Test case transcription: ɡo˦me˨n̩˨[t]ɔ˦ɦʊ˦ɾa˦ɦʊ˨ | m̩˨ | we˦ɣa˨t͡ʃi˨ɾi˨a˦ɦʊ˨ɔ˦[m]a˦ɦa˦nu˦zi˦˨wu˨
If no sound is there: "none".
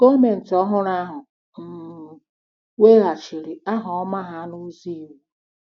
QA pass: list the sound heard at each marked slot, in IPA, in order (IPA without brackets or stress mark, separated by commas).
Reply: t, m